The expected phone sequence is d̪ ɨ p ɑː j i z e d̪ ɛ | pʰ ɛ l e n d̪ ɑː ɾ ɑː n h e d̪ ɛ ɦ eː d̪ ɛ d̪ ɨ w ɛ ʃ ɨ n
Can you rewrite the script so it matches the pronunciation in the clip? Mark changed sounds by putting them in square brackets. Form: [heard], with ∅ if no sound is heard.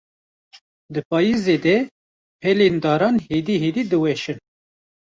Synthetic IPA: d̪ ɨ p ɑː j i z e d̪ ɛ | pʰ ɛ l e n d̪ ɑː ɾ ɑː n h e d̪ [i] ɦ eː d̪ [i] d̪ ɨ w ɛ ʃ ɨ n